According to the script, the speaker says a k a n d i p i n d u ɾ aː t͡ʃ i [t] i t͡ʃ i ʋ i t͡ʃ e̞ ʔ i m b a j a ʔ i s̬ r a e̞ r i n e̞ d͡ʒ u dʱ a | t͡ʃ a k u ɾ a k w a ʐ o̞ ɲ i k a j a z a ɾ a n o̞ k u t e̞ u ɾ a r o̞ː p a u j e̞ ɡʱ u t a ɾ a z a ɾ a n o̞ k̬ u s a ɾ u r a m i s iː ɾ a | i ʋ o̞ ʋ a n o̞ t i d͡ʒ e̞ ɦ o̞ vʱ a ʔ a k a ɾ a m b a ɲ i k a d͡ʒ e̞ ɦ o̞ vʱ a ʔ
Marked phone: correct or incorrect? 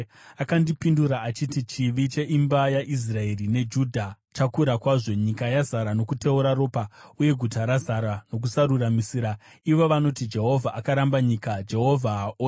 correct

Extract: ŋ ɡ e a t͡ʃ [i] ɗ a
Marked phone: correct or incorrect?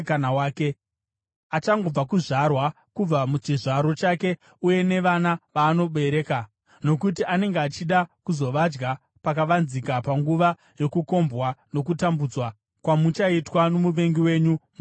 correct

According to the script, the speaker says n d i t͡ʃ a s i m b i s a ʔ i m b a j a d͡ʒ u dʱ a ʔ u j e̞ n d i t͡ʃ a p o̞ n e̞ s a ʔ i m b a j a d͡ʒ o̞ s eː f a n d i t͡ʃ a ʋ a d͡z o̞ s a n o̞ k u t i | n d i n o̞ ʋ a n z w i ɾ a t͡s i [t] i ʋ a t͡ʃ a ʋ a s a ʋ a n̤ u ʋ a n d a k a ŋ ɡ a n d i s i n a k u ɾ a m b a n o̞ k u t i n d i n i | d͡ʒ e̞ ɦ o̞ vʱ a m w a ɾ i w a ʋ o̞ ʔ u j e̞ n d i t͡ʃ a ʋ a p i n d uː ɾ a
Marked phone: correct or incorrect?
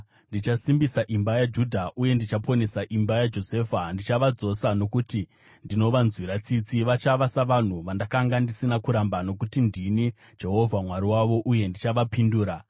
incorrect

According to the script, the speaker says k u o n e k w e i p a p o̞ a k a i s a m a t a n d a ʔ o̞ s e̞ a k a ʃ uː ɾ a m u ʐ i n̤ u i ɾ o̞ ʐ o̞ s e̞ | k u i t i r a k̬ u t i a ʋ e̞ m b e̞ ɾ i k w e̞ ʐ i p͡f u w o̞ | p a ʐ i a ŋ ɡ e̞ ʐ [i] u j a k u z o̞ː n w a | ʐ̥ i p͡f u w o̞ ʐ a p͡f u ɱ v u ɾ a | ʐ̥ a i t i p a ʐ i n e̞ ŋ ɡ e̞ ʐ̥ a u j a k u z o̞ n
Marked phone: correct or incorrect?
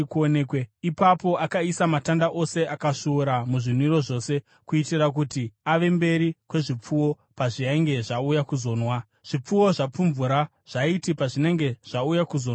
incorrect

